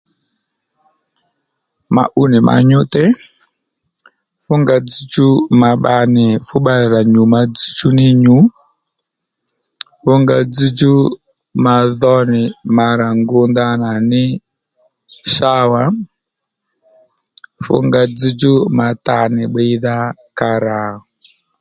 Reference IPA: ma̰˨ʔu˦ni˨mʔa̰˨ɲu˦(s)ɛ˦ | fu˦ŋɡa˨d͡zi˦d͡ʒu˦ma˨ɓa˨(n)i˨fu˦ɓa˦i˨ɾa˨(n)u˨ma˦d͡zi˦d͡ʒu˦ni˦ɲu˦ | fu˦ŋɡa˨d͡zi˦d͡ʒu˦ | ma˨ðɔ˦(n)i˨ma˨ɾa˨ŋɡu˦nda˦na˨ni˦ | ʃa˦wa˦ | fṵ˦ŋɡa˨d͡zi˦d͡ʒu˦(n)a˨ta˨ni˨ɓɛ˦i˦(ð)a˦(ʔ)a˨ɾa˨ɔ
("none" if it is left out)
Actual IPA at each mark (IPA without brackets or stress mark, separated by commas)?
t, n, ɲ, n, m, ð, k